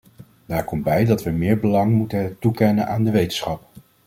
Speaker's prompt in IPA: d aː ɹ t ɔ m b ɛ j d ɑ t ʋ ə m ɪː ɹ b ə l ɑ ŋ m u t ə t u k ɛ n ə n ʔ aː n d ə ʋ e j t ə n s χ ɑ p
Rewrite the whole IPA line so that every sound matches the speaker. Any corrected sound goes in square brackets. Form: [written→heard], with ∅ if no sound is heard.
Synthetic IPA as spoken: d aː ɹ [t→k] ɔ m b ɛ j d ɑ t ʋ ə m ɪː ɹ b ə l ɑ ŋ m u t ə t u k ɛ n ə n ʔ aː n d ə ʋ e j t ə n s χ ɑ p